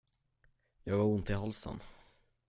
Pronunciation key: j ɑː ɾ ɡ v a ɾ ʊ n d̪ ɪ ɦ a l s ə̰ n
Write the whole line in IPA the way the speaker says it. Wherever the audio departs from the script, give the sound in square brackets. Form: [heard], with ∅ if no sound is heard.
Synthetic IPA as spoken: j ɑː [∅] ɡ v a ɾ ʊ n [t̪] ɪ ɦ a l s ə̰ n